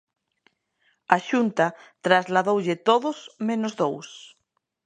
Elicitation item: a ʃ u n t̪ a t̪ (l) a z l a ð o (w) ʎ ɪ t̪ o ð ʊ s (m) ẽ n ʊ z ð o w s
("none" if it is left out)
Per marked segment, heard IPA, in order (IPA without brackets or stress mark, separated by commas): ɾ, w, m